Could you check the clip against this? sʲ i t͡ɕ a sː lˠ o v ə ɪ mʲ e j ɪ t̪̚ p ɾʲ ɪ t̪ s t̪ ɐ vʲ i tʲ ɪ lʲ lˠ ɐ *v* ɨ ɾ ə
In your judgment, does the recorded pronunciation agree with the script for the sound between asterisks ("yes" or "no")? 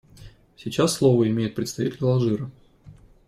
no